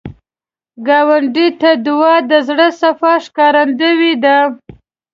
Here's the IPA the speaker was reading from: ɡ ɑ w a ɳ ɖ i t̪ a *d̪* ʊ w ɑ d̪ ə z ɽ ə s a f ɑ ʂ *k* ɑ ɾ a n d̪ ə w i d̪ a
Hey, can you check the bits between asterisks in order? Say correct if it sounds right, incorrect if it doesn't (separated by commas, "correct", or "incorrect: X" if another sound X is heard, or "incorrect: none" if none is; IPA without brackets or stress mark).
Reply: correct, correct